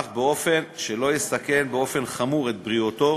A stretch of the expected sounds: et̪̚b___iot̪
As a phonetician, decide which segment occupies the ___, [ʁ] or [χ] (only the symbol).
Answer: ʁ